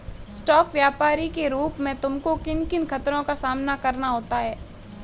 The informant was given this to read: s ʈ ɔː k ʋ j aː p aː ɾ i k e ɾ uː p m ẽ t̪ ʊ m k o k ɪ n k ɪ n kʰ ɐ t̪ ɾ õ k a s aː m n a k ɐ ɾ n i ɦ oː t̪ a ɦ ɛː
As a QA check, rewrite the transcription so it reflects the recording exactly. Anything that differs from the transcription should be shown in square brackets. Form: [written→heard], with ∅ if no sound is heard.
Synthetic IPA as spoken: s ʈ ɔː k ʋ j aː p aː ɾ i k e ɾ uː p m ẽ t̪ ʊ m k o k ɪ n k ɪ n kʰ ɐ t̪ ɾ õ k a s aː m n a k ɐ ɾ n [i→a] ɦ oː t̪ a ɦ ɛː